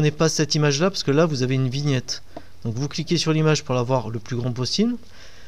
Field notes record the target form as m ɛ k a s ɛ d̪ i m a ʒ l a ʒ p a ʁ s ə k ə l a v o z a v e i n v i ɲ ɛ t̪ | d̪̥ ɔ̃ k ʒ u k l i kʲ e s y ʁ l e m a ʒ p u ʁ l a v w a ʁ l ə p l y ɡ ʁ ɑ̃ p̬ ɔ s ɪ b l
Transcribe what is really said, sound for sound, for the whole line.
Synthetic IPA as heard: n ɛ p a s ɛ t̪ i m a ʒ l a p a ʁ s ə k ə l a v u z a v e y n v i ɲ ɛ t̪ | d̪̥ ɔ̃ k v u k l i kʲ e s y ʁ l i m a ʒ p u ʁ l a v w a ʁ l ə p l y ɡ ʁ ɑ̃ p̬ ɔ s i b l